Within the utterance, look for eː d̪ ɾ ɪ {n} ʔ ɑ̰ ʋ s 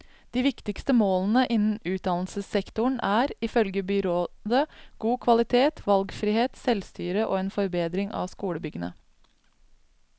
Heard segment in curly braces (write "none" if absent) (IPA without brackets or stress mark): ŋ